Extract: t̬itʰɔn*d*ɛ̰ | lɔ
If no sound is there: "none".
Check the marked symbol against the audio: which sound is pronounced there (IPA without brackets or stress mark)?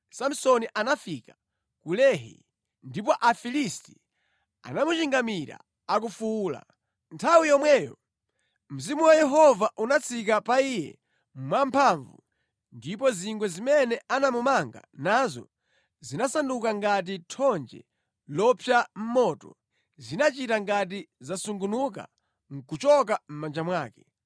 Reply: d͡ʒ